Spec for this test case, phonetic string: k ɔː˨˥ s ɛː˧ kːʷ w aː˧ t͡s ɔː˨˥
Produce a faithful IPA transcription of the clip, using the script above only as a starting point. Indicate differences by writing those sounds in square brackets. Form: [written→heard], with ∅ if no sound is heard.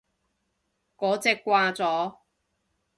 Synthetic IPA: k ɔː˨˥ [s→t͡s] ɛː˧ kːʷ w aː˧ t͡s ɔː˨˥